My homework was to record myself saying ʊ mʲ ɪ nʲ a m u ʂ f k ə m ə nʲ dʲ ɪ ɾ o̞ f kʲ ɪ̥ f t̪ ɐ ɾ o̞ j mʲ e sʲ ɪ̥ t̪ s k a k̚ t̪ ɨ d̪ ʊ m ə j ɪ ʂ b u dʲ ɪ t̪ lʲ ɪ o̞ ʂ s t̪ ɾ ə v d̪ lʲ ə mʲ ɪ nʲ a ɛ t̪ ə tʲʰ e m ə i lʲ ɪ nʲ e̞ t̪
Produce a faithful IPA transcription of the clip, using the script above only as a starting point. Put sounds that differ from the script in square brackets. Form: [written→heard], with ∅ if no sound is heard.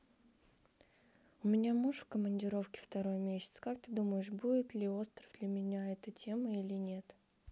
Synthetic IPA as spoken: ʊ mʲ ɪ nʲ a m u ʂ f k ə m ə nʲ dʲ ɪ ɾ o̞ f kʲ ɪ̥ f t̪ ɐ ɾ o̞ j mʲ e sʲ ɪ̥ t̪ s k a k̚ t̪ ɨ d̪ [ʊ→u] m ə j ɪ ʂ b u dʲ ɪ t̪ lʲ ɪ o̞ [ʂ→∅] s t̪ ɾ ə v d̪ lʲ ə mʲ ɪ nʲ a ɛ t̪ ə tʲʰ e m ə i lʲ ɪ nʲ e̞ t̪